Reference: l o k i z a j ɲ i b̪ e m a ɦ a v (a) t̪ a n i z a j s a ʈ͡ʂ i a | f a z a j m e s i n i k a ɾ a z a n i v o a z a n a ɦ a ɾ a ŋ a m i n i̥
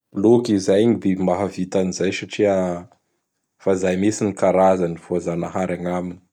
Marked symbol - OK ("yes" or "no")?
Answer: no